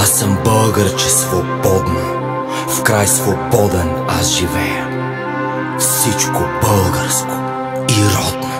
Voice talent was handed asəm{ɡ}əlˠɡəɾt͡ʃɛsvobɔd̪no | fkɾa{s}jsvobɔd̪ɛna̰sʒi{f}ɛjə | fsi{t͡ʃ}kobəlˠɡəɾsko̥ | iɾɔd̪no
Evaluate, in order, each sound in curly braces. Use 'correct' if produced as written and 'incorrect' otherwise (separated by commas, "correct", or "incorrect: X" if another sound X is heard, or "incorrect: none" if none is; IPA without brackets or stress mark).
incorrect: b, incorrect: none, incorrect: v, correct